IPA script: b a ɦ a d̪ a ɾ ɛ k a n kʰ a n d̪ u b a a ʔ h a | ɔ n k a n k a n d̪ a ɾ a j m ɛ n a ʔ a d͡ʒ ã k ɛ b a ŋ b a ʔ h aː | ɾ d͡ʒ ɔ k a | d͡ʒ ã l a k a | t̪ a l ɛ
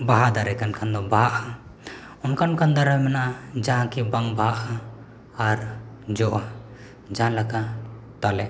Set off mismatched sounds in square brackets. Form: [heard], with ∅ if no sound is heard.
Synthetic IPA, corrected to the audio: b a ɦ a d̪ a ɾ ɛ k a n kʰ a n d̪ [ɔ] b a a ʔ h a | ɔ n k a n k a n d̪ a ɾ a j m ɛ n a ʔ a d͡ʒ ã k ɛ b a ŋ b a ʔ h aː | ɾ d͡ʒ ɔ [ʔ] a | d͡ʒ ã l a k a | t̪ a l ɛ